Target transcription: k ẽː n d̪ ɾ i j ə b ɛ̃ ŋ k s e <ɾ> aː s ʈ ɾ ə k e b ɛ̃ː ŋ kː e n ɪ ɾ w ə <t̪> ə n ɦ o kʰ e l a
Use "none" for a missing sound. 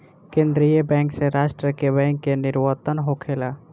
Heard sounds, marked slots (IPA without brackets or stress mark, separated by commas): ɾ, t̪